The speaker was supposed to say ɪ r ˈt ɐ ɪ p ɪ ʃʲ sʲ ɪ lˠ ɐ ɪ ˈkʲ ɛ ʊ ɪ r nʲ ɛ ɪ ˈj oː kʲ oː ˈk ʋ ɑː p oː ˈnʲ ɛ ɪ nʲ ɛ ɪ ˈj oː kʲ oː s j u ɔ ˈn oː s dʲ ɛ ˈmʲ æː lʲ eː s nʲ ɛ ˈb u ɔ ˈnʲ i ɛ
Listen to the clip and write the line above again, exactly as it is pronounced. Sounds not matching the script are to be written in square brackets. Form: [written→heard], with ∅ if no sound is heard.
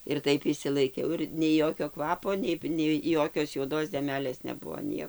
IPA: ɪ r ˈt ɐ ɪ p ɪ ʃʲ sʲ ɪ lˠ ɐ ɪ ˈkʲ ɛ ʊ ɪ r nʲ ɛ ɪ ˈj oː kʲ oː ˈk ʋ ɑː p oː ˈnʲ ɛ ɪ nʲ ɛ ɪ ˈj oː kʲ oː s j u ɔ [ˈn→ˈd] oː s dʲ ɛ ˈmʲ æː lʲ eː s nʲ ɛ ˈb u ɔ ˈnʲ i ɛ

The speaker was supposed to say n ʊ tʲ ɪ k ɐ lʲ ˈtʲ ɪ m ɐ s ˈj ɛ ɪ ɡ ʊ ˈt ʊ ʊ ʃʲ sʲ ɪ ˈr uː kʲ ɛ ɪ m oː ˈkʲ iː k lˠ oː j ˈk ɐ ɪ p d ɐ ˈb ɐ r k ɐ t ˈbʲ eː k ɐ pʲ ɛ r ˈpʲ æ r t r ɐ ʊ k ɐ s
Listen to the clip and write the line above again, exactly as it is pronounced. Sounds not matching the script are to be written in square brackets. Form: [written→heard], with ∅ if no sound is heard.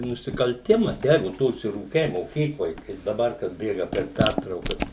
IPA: n ʊ [tʲ→sʲ] ɪ k ɐ lʲ ˈtʲ ɪ m ɐ s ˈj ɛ ɪ ɡ ʊ ˈt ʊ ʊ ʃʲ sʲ ɪ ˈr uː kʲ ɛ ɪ m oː ˈkʲ iː k lˠ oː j ˈk ɐ ɪ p d ɐ ˈb ɐ r k ɐ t ˈbʲ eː [k→ɡ] ɐ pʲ ɛ r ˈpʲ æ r t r ɐ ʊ k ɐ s

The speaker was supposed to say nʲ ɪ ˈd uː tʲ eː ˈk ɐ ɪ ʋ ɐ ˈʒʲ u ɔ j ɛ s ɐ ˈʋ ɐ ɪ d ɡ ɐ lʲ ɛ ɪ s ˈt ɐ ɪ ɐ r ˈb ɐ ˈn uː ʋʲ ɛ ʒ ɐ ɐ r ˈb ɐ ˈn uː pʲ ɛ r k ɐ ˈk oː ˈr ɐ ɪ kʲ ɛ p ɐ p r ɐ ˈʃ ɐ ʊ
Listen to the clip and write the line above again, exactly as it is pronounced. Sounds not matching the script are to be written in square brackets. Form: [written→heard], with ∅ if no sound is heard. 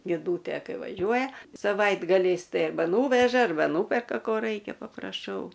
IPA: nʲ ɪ ˈd uː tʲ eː ˈk ɐ ɪ ʋ ɐ ˈʒʲ u ɔ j ɛ s ɐ ˈʋ ɐ ɪ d ɡ ɐ lʲ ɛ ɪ s ˈt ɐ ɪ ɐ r ˈb ɐ ˈn uː ʋʲ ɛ ʒ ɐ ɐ r ˈb ɐ ˈn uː pʲ ɛ r k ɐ ˈk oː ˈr ɐ ɪ kʲ ɛ p ɐ p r ɐ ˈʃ ɐ ʊ

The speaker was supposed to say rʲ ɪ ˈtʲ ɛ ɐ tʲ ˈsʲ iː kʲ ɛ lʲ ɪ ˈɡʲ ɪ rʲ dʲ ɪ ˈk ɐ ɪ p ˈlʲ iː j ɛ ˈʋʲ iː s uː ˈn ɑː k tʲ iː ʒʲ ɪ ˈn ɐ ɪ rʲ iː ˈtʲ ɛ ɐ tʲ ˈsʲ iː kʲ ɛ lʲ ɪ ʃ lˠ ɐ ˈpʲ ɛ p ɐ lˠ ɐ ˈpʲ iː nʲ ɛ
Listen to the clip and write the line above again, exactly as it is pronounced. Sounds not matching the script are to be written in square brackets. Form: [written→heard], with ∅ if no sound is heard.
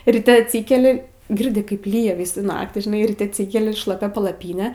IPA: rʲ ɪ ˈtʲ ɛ ɐ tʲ ˈsʲ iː kʲ ɛ lʲ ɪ ˈɡʲ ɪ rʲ dʲ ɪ ˈk ɐ ɪ p ˈlʲ iː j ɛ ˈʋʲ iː s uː ˈn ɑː k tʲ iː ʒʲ ɪ ˈn ɐ ɪ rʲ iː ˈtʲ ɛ ɐ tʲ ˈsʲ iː kʲ ɛ lʲ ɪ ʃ lˠ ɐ ˈpʲ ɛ p ɐ lˠ ɐ ˈpʲ iː nʲ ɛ

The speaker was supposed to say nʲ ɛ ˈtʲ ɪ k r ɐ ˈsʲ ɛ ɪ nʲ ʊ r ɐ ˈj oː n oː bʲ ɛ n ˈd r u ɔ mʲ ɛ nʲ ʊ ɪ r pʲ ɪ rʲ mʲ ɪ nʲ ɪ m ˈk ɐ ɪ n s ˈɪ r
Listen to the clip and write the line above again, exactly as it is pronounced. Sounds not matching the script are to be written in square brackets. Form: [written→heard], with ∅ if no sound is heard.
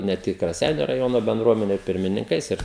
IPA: nʲ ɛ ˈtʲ ɪ k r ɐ ˈsʲ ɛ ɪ nʲ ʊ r ɐ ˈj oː n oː bʲ ɛ n ˈd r u ɔ mʲ ɛ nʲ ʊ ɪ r pʲ ɪ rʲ mʲ ɪ nʲ ɪ [m→ŋ] ˈk ɐ ɪ [n→∅] s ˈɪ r

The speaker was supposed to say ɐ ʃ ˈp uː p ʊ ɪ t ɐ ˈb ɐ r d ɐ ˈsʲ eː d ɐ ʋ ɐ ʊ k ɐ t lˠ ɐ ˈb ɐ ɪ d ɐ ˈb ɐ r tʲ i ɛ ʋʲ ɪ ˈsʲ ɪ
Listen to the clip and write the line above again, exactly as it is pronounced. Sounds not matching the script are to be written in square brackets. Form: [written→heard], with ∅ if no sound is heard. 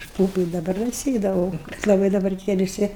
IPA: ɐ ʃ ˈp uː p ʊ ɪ [t→d] ɐ ˈb ɐ r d ɐ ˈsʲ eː d ɐ ʋ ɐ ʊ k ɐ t lˠ ɐ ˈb ɐ ɪ d ɐ ˈb ɐ r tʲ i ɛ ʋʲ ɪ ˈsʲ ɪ

